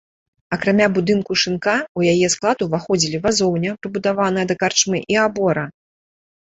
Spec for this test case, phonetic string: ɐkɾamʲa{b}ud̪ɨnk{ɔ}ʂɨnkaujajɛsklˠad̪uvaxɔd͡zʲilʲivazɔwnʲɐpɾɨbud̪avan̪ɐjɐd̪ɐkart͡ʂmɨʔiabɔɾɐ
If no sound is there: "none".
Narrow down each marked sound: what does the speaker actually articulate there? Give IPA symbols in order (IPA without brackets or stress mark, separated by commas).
b, u